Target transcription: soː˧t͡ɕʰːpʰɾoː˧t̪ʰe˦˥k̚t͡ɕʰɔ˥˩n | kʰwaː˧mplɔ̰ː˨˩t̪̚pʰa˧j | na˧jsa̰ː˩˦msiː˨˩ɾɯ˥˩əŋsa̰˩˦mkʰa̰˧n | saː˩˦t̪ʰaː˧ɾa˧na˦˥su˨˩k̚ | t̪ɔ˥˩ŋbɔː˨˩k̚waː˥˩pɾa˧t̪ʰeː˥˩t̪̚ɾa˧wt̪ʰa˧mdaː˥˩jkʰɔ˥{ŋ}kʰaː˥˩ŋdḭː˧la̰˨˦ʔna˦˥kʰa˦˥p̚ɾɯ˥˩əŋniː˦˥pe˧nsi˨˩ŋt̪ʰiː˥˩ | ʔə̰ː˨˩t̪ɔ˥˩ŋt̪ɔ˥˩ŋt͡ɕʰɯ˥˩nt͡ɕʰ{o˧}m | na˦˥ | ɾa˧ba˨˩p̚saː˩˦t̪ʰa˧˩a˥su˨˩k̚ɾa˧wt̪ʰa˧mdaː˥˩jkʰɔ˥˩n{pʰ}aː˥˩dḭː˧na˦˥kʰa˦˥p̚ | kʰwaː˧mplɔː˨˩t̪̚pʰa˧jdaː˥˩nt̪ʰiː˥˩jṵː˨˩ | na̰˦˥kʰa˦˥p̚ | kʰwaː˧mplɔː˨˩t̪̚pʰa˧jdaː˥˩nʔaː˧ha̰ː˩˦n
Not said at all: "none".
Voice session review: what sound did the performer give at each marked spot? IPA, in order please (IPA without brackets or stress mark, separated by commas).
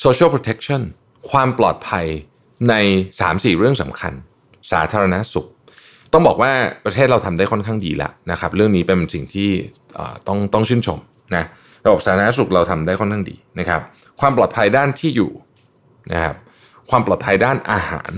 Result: n, o˧, kʰ